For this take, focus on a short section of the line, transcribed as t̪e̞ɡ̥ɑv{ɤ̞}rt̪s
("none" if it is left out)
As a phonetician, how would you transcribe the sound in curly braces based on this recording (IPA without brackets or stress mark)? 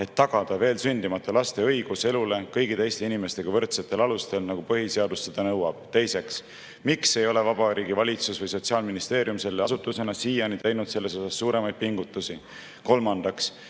ɤ̞